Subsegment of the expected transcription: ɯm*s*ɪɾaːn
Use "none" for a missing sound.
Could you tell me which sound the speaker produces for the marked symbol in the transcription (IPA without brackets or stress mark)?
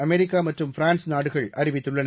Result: f